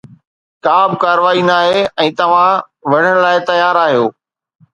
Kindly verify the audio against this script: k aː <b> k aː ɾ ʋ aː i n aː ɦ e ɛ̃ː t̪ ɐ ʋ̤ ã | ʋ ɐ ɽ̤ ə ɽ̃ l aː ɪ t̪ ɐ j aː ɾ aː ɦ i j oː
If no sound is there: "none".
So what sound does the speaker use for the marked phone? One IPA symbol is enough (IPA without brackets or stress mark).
b